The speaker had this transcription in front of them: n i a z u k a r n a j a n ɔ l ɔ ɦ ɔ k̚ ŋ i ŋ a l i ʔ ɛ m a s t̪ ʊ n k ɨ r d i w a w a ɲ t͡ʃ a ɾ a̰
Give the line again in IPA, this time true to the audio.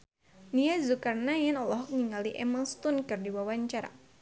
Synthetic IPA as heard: n i a z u k a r n a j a n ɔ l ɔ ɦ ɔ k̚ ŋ i ŋ a l i ʔ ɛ m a s t̪ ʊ n k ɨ r d i w a w a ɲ t͡ʃ a ɾ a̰